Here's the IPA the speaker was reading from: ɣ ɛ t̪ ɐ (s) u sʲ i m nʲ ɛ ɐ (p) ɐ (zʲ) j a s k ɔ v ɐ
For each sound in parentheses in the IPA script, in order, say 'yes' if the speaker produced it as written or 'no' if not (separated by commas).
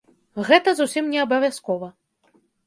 no, no, no